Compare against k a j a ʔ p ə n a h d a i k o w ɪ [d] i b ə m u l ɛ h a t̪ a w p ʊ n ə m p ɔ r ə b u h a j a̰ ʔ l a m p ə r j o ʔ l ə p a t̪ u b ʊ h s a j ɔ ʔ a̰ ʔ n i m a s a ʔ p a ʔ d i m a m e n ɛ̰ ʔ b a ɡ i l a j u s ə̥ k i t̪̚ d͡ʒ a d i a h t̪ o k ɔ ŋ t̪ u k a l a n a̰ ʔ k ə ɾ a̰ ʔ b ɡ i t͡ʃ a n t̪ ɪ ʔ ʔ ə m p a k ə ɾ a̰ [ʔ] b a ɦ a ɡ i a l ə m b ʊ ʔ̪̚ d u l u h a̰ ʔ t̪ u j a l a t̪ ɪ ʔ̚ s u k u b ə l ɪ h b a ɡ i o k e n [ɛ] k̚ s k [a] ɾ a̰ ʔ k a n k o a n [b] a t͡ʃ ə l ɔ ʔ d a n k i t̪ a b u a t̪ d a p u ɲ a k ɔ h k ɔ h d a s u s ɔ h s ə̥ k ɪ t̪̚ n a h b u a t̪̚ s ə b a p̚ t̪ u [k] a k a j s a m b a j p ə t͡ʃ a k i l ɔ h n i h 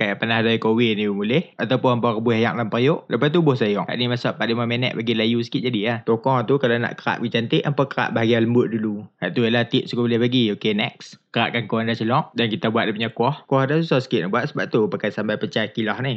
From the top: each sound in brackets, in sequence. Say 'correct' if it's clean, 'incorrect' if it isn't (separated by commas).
incorrect, correct, correct, incorrect, incorrect, incorrect